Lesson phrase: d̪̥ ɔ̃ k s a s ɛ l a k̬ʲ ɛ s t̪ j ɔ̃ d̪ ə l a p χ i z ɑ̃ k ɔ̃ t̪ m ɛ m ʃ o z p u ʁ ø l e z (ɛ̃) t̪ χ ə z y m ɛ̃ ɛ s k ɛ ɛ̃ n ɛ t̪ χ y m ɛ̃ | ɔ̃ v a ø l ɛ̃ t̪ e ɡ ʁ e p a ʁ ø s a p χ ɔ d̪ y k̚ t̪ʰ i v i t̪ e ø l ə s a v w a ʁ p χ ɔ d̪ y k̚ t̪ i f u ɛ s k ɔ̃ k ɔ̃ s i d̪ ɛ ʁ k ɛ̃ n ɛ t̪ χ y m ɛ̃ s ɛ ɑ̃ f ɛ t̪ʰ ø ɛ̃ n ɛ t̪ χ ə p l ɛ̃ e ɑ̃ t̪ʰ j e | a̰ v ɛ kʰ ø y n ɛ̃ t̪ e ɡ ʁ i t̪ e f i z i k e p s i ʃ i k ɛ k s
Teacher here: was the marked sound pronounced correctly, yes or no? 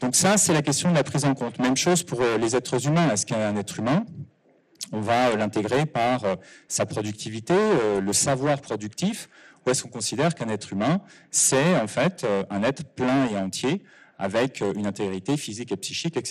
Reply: no